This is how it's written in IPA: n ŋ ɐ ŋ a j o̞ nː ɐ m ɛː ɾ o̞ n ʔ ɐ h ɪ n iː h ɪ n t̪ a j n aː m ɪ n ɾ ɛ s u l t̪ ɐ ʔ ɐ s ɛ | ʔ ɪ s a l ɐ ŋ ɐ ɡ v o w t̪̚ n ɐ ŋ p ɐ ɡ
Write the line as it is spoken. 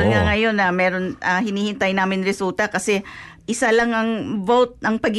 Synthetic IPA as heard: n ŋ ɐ ŋ ɐ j o̞ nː ɐ m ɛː ɾ o̞ n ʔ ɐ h ɪ n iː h ɪ n t̪ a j n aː m ɪ n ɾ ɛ s u l t̪ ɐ k ɐ s ɛ | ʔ ɪ s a l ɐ ŋ ɐ ŋ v o w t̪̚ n ɐ ŋ p ɐ ɡ